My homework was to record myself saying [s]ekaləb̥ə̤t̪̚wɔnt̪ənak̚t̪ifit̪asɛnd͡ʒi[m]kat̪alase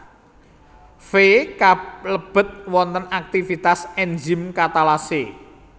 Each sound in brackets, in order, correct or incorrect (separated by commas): incorrect, correct